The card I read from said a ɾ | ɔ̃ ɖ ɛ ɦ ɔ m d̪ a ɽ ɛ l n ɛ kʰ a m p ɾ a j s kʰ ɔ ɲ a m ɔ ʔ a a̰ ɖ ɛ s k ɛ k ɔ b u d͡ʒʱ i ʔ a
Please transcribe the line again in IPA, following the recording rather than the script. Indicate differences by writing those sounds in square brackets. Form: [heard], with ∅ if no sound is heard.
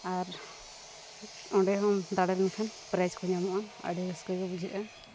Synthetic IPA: a ɾ | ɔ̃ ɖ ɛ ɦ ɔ m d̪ a ɽ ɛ l n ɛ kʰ a [n] p ɾ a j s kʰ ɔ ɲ a m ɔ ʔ a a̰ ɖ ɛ s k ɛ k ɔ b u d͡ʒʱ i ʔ a